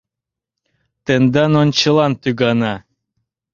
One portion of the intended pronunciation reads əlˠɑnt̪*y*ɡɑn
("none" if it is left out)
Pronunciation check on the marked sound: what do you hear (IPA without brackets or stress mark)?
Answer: y